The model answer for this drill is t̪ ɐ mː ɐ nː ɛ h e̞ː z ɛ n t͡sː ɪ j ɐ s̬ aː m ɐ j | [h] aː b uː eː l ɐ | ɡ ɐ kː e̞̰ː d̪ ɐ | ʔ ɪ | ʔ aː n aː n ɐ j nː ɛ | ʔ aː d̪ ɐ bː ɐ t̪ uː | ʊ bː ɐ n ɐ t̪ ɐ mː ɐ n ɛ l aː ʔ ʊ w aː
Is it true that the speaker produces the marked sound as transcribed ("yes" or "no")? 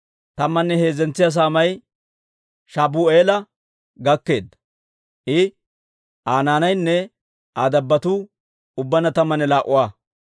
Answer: no